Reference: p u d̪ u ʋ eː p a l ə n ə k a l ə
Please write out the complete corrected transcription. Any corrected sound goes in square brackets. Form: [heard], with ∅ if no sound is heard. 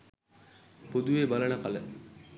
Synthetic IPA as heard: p [o] d̪ u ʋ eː [b] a l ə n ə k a l ə

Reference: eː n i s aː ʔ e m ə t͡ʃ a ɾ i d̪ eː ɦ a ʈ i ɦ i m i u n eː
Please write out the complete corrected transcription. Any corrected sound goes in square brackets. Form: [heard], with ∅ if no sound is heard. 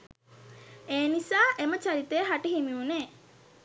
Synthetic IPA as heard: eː n i s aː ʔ e m ə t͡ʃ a ɾ i [t̪] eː ɦ a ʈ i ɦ i m i u n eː

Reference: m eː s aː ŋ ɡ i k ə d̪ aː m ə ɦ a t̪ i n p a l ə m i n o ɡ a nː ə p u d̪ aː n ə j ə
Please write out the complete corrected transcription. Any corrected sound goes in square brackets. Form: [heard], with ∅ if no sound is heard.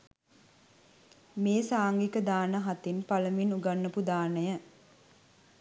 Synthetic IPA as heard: m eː s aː ŋ ɡ i k ə d̪ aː [n] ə ɦ a t̪ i n p a l ə m i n [u] ɡ a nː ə p u d̪ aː n ə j ə

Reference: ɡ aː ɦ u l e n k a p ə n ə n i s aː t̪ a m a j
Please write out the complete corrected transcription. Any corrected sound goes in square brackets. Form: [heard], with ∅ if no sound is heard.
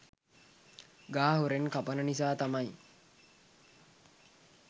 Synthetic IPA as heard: ɡ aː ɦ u [ɾ] e n k a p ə n ə n i s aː t̪ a m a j

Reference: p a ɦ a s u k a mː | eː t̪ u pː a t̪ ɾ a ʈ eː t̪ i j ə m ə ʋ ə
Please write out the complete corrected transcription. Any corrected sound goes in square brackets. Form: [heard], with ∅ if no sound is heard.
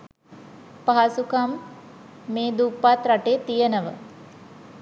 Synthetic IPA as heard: p a ɦ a s u k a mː | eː [d̪] u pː a t̪ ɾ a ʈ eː t̪ i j ə [n] ə ʋ ə

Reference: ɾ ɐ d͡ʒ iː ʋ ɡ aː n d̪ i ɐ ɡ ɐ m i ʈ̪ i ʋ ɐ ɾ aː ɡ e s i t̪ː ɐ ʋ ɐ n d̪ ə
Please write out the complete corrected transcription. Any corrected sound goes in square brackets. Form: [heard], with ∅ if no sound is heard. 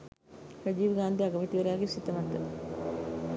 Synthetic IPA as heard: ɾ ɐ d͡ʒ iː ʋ ɡ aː n d̪ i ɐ ɡ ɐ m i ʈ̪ i ʋ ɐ ɾ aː ɡ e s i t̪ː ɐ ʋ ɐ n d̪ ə

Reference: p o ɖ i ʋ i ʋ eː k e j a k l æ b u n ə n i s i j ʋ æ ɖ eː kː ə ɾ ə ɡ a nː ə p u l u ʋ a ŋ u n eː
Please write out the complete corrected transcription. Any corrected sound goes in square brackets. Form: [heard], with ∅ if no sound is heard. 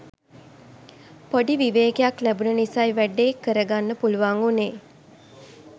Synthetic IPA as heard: p o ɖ i ʋ i ʋ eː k e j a k l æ b u n ə n i s [a] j ʋ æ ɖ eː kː ə ɾ ə ɡ a nː ə p u l u ʋ a ŋ u n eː

